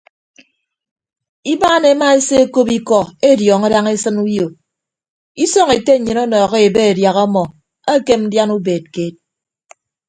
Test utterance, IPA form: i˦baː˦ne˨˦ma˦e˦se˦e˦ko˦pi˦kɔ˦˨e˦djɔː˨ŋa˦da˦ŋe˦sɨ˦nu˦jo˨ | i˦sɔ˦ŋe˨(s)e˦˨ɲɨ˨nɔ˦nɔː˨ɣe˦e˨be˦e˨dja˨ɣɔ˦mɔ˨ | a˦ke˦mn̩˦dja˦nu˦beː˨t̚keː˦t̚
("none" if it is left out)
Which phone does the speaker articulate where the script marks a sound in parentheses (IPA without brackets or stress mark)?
t